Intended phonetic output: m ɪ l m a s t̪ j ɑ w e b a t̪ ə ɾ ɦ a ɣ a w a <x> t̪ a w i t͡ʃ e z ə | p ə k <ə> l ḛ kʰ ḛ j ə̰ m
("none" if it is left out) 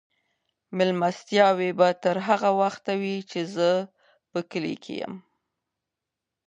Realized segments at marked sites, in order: x, ə

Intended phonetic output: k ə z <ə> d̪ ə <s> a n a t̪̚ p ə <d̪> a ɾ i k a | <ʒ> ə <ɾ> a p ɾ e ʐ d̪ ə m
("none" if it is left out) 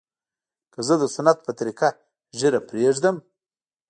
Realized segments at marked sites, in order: ə, s, t̪, ʒ, ɾ

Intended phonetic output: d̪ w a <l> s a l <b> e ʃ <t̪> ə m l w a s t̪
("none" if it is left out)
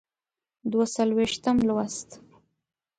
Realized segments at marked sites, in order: none, w, t̪

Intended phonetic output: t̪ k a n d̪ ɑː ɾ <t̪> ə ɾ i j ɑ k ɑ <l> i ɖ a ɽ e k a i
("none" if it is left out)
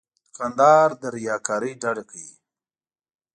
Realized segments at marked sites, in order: d̪, ɾ

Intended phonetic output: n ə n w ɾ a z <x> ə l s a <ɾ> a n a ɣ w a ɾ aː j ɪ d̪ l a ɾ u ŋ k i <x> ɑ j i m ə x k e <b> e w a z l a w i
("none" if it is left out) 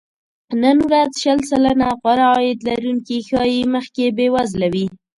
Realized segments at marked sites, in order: ʃ, l, x, b

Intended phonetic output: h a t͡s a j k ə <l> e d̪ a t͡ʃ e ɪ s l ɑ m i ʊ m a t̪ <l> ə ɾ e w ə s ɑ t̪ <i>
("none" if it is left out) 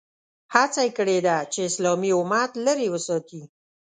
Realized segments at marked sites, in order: ɽ, l, i

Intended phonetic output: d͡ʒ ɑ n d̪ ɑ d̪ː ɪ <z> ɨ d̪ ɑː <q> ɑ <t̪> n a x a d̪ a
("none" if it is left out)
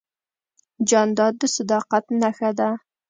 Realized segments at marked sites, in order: s, q, t̪

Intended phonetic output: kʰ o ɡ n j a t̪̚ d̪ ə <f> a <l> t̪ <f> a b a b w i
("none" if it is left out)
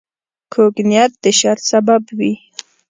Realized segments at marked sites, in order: ʃ, ɾ, s

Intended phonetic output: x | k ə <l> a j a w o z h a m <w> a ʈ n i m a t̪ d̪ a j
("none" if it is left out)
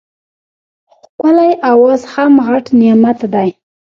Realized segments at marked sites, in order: l, ɣ

